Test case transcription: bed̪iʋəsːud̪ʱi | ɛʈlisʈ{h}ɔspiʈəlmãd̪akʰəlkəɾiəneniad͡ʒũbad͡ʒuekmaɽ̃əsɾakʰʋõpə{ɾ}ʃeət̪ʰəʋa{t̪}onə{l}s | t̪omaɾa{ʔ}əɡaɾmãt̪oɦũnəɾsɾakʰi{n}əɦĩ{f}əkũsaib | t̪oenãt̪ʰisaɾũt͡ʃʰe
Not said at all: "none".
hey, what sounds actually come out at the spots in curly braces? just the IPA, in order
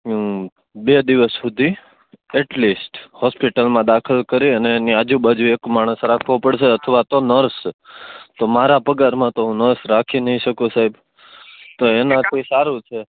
h, ɽ, t̪, ɾ, p, n, ʃ

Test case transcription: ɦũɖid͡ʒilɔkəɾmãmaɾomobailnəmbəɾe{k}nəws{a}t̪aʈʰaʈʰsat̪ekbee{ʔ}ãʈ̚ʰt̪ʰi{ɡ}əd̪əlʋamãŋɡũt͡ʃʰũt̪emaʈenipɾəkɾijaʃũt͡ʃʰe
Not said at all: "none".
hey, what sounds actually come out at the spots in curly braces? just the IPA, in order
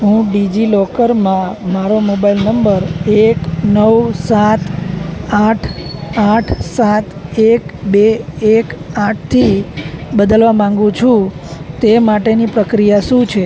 k, a, k, b

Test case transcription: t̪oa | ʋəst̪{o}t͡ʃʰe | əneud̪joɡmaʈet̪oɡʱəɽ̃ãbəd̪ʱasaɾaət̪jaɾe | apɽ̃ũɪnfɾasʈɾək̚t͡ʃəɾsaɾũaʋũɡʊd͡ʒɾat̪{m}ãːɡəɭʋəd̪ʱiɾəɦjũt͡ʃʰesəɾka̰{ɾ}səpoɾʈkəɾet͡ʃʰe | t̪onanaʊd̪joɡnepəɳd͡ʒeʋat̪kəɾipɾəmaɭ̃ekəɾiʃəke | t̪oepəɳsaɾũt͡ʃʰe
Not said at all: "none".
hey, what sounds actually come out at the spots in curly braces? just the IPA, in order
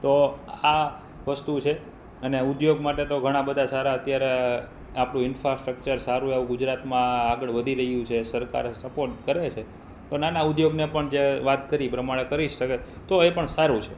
u, m, ɾ

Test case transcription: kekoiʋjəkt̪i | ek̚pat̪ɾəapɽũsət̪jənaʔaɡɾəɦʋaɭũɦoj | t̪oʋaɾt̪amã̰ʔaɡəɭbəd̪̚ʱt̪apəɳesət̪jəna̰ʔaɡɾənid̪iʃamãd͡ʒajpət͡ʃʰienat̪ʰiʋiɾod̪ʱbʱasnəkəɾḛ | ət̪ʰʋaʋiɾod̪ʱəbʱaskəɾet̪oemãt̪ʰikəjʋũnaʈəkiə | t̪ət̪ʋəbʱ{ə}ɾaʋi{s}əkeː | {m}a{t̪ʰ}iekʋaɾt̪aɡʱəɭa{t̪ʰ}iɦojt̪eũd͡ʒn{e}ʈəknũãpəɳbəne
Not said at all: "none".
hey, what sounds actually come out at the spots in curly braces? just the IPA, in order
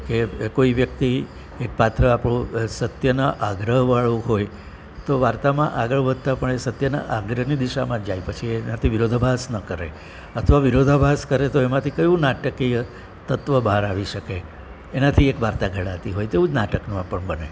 a, ʃ, n, t̪ʰ, t̪, a

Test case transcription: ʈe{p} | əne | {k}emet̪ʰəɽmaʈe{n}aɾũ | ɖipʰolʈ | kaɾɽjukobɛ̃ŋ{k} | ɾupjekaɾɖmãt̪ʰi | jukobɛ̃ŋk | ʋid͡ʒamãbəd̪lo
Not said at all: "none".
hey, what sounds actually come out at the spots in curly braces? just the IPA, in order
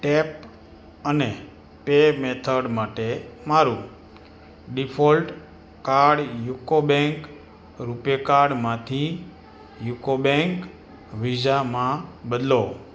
p, p, m, k

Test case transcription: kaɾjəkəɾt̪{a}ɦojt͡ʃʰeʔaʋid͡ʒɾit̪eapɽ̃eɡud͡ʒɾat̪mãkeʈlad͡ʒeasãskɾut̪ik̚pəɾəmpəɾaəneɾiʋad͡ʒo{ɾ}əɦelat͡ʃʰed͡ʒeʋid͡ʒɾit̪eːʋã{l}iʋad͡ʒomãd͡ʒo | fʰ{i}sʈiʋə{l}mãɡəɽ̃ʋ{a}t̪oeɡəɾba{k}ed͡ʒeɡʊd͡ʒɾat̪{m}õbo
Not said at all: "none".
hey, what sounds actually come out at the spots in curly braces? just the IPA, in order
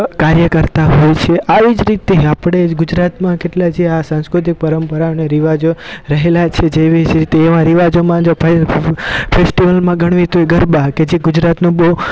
a, ɾ, ɾ, e, l, i, k, n

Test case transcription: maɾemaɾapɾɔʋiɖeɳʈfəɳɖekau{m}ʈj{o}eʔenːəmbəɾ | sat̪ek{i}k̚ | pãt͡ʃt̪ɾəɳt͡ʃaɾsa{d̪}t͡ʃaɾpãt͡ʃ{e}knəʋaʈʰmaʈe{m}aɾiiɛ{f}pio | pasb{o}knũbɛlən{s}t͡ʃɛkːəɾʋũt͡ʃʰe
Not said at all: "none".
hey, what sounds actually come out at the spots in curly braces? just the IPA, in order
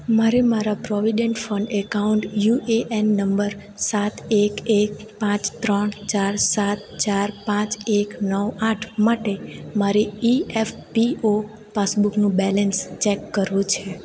ɳ, u, e, t̪, e, m, f, u, s

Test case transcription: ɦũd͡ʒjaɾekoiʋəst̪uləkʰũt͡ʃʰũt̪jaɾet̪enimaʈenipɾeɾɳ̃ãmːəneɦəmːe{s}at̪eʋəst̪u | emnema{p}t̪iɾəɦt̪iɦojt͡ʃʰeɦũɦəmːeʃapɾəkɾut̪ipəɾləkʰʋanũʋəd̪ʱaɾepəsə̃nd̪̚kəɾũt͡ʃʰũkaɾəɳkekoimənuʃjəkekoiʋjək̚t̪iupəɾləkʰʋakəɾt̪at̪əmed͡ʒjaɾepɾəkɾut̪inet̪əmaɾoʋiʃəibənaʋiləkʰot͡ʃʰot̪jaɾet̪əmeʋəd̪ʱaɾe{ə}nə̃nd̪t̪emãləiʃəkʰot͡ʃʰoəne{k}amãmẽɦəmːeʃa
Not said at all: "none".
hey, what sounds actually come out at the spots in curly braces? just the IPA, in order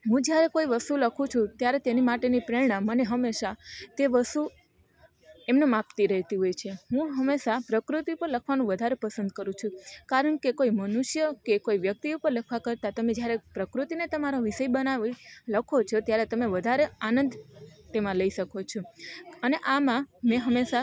ʃ, p, a, ʔ

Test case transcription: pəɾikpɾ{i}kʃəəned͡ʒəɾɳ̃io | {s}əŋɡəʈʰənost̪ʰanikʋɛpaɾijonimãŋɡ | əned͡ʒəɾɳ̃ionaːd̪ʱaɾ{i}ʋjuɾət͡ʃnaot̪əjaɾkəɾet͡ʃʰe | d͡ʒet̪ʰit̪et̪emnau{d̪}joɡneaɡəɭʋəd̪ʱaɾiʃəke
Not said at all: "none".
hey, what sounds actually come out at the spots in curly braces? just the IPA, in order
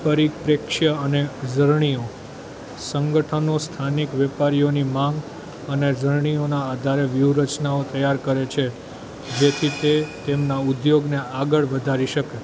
e, s, e, d̪

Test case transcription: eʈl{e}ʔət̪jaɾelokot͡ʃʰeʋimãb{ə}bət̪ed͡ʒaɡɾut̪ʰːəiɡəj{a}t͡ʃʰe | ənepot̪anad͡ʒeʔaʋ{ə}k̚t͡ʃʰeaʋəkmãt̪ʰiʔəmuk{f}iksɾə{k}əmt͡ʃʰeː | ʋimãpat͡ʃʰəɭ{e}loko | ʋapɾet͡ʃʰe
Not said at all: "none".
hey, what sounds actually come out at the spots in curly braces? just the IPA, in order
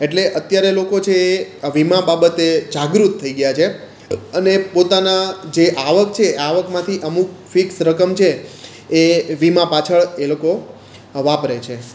e, a, a, ə, f, k, e

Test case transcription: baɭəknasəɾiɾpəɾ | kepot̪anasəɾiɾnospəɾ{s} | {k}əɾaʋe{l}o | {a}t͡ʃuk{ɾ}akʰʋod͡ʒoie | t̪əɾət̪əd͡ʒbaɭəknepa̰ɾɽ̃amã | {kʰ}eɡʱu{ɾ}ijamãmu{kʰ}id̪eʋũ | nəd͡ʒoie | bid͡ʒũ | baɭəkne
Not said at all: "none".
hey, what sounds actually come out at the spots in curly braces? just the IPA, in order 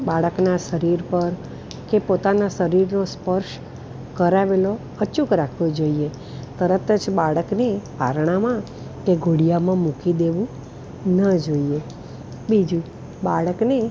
ʃ, k, l, ə, ɾ, k, ɽ, k

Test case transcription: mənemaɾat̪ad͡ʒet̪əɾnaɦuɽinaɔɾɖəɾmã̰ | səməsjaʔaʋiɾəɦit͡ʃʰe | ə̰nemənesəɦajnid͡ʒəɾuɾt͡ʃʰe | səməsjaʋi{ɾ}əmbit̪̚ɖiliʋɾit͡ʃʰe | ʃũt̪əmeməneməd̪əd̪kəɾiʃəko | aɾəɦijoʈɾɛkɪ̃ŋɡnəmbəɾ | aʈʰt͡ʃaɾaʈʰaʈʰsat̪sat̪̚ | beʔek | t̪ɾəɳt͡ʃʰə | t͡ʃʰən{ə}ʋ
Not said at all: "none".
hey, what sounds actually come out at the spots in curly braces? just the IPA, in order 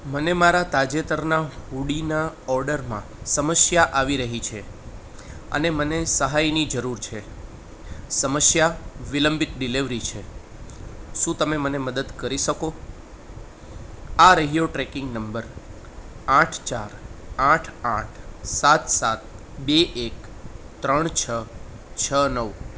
l, ə

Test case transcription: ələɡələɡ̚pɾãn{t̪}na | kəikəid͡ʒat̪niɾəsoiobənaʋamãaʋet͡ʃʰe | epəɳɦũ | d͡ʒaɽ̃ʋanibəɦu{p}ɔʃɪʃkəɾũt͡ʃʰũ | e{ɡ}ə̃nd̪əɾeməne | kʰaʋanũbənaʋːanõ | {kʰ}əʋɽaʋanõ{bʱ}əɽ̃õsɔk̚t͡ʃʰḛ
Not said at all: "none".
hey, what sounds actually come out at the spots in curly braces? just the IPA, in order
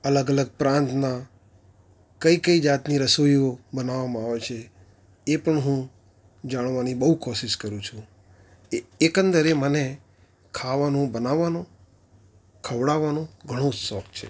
t̪, k, k, kʰ, ɡʱ

